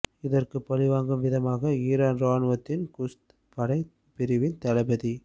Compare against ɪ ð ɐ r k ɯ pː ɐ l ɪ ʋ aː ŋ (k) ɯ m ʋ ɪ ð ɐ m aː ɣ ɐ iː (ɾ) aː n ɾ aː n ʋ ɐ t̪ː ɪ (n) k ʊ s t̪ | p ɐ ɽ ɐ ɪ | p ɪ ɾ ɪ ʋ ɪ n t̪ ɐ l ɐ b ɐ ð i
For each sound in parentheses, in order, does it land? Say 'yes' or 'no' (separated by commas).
no, yes, yes